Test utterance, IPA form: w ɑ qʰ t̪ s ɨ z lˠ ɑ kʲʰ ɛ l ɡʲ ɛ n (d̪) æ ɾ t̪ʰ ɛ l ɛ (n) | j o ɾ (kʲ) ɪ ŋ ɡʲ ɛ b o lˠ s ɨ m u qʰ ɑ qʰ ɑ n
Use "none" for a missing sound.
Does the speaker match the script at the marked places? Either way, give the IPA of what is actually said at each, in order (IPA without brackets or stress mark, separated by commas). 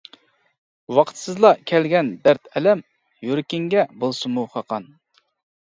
d̪, m, kʲ